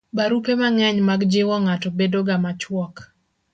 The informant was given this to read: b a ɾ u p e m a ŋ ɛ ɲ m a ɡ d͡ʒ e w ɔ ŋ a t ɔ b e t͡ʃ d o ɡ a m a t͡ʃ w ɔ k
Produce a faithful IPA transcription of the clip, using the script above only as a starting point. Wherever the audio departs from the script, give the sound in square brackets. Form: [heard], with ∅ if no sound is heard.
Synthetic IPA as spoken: b a ɾ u p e m a ŋ ɛ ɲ m a ɡ d͡ʒ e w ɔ ŋ a t ɔ b e [∅] d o ɡ a m a t͡ʃ w ɔ k